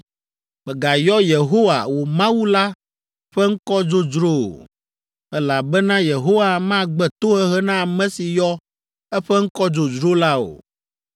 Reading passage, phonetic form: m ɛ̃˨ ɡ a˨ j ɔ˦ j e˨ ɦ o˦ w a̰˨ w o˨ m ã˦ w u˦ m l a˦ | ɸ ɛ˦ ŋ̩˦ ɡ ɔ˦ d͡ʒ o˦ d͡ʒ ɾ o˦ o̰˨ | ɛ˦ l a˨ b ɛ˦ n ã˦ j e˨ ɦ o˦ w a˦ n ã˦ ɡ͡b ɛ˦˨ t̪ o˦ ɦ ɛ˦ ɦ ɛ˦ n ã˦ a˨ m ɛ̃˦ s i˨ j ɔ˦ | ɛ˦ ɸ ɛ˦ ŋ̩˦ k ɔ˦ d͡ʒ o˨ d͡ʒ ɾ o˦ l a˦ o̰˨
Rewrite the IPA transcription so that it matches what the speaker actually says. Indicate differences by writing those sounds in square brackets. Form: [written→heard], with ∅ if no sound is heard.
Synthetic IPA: m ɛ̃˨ ɡ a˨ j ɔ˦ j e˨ ɦ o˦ w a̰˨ w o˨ m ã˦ w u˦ [m→∅] l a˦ | ɸ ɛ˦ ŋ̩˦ [ɡ→k] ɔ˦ d͡ʒ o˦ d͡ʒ ɾ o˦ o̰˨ | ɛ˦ l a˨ b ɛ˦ n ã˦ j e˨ ɦ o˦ w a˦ [n→m] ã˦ ɡ͡b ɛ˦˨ t̪ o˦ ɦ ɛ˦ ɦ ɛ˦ n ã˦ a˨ m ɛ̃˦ s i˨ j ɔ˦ | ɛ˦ ɸ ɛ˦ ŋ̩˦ k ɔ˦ d͡ʒ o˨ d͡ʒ ɾ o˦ l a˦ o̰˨